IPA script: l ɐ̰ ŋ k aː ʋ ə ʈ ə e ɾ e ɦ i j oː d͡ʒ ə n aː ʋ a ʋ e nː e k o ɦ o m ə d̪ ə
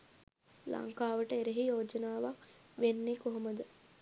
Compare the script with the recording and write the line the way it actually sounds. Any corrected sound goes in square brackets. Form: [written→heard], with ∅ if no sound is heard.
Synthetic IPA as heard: l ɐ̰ ŋ k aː ʋ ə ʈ ə e ɾ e ɦ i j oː d͡ʒ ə n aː ʋ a ʋ e nː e k o ɦ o m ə d̪ ə